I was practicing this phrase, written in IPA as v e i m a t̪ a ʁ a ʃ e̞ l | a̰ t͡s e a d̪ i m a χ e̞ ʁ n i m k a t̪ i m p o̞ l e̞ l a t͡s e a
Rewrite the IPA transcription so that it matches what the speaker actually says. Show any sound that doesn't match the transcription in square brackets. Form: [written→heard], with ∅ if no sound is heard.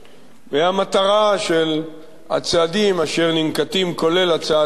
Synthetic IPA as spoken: v e [i→a] m a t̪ a ʁ a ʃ e̞ l | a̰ t͡s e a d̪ i m a [χ→ʃ] e̞ ʁ n i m k a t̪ i m [p→k] o̞ l e̞ l a t͡s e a